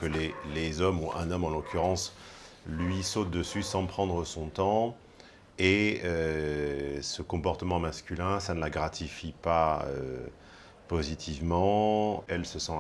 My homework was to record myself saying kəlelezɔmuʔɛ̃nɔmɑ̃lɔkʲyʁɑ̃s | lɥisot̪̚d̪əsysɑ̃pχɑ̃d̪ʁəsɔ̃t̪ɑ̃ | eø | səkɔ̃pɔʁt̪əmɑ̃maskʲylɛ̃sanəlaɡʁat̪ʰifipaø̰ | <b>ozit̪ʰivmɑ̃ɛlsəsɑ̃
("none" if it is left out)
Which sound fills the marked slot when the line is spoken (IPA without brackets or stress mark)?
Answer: p